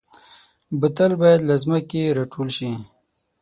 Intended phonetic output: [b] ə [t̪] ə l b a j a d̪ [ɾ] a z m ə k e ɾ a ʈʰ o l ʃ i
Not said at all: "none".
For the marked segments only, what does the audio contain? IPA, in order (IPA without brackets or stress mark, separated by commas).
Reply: b, t̪, l